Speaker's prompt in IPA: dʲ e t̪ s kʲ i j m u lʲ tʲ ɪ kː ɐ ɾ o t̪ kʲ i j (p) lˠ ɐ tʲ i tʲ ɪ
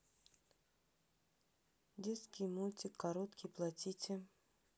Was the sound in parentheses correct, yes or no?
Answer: yes